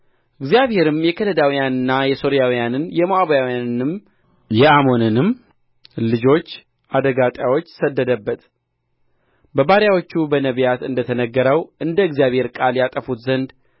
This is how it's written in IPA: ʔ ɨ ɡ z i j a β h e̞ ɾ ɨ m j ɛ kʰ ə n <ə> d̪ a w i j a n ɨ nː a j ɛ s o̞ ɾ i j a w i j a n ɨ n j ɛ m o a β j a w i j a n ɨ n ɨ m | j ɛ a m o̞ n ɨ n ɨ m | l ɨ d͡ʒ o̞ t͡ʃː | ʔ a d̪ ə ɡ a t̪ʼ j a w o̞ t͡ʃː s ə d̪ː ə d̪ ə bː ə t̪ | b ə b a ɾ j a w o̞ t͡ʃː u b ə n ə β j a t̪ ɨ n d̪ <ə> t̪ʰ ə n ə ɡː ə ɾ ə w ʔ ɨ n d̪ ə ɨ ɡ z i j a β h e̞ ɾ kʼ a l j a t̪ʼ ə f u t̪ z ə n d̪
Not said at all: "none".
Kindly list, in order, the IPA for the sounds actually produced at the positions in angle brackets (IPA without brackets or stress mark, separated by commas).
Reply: ə, ə